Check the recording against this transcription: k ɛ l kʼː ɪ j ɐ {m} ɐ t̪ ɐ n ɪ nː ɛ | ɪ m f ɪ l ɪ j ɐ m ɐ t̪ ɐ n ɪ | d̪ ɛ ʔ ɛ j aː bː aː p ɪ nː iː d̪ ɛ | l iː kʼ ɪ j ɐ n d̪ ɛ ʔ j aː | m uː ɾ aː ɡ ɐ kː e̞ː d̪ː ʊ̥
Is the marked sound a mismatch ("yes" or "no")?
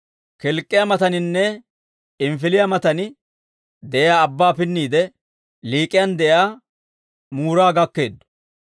no